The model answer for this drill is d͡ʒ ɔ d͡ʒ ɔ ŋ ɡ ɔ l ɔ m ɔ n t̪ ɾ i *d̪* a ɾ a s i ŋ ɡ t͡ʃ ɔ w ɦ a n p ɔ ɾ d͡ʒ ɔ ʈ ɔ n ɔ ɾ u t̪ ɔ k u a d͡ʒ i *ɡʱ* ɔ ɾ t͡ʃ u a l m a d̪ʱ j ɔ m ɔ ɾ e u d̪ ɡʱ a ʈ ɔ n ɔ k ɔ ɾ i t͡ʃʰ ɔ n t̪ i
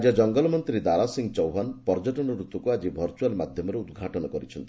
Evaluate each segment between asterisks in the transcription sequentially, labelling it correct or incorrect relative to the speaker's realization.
correct, incorrect

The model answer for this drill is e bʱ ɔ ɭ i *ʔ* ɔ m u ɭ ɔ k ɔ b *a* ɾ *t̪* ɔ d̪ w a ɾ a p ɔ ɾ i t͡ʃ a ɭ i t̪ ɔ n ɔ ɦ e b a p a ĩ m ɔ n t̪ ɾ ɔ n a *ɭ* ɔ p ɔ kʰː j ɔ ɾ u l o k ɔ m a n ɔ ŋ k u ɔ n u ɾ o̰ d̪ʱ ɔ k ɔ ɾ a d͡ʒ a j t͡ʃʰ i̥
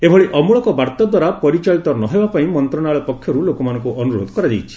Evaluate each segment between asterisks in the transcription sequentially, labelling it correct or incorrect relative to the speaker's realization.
correct, correct, correct, correct

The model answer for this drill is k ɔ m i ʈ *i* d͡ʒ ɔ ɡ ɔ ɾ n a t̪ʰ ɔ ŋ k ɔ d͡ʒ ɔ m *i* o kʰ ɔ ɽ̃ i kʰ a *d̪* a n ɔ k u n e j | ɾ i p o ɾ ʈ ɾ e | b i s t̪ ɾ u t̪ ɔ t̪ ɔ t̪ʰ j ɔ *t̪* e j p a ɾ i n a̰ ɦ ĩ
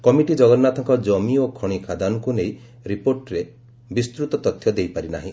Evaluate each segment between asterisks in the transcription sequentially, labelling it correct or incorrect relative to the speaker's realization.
correct, correct, correct, incorrect

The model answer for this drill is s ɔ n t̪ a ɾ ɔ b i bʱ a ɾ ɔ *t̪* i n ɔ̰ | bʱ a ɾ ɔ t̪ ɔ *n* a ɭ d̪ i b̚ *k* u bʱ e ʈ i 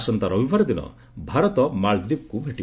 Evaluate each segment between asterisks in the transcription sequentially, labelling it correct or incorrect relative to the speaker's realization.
incorrect, incorrect, correct

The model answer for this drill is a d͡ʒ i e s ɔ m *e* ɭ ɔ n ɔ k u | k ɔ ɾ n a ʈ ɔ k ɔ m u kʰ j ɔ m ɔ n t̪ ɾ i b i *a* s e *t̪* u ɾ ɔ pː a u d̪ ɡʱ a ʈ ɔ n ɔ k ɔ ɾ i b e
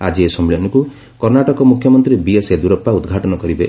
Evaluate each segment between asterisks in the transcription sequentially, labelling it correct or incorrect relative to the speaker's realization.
incorrect, incorrect, incorrect

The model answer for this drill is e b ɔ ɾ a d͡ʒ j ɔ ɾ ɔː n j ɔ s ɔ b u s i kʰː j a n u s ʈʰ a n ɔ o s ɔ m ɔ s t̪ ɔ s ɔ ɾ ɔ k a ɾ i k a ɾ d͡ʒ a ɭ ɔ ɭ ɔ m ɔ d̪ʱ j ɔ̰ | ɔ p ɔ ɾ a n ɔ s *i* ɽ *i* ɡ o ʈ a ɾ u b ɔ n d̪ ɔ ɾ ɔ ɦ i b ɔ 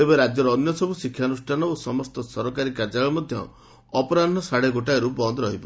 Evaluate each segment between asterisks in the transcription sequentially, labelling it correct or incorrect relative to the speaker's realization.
incorrect, incorrect

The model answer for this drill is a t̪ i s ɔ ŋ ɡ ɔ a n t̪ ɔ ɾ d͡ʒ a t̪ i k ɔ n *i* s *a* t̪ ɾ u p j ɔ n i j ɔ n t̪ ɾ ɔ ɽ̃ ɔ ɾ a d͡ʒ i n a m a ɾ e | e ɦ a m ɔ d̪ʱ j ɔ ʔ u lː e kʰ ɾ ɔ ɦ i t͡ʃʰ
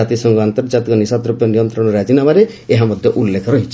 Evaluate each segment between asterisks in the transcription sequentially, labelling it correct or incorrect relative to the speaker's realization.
correct, correct

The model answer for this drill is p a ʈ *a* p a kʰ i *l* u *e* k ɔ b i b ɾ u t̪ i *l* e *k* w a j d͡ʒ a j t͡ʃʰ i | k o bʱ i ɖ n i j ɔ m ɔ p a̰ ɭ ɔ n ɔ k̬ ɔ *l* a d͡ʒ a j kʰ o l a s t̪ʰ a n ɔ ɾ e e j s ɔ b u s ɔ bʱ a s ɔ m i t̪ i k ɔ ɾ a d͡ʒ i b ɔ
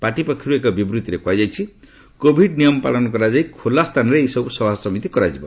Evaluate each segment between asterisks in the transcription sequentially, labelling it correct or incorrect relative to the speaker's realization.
incorrect, incorrect, correct, incorrect, correct, incorrect

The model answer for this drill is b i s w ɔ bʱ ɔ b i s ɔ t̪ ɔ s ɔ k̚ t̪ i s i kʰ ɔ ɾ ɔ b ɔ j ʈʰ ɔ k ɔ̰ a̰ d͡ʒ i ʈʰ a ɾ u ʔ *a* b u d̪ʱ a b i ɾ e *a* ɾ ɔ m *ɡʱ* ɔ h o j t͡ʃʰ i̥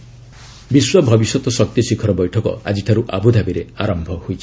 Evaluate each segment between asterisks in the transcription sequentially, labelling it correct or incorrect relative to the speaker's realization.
correct, correct, incorrect

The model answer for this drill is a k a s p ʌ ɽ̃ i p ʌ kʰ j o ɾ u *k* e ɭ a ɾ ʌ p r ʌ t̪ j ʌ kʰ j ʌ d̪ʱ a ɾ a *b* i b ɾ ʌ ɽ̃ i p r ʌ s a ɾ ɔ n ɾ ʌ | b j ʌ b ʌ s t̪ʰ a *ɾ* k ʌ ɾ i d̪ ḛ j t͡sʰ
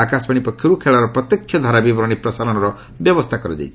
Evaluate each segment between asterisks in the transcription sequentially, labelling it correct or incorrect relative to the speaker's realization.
incorrect, correct, incorrect

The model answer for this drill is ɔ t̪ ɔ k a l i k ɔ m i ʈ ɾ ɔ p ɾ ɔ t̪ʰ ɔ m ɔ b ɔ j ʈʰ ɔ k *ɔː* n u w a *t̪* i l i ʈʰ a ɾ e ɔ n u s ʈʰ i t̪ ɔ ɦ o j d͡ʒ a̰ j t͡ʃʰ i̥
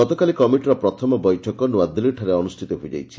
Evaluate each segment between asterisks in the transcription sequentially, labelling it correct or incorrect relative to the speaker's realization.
incorrect, incorrect

